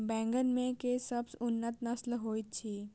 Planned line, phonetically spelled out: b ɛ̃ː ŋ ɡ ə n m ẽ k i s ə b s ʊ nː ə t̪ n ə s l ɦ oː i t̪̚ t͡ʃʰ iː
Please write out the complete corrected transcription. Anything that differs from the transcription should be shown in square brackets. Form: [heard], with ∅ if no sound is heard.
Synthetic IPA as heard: b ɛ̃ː ŋ ɡ ə n m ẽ k [e] s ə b s ʊ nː ə t̪ n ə s l ɦ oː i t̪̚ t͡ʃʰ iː